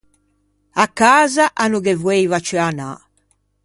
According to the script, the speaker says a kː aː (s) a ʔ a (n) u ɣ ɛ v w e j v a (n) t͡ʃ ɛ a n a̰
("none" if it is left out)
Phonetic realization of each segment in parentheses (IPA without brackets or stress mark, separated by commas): z, n, none